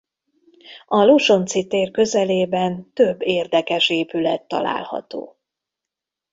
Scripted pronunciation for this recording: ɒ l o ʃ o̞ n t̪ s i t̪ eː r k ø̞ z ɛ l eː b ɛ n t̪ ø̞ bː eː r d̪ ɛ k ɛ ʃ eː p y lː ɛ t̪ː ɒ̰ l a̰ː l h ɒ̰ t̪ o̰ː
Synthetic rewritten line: ɒ l o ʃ o̞ n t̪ s i t̪ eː r k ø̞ z ɛ l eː b ɛ n t̪ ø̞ bː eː r d̪ ɛ k ɛ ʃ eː p y l ɛ t̪ː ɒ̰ l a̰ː l h ɒ̰ t̪ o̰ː